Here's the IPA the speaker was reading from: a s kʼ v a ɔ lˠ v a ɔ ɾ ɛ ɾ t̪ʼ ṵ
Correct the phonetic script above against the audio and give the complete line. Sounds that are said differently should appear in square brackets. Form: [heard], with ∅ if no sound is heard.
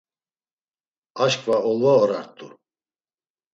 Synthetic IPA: a [ʃ] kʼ v a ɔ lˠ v a ɔ ɾ [a] ɾ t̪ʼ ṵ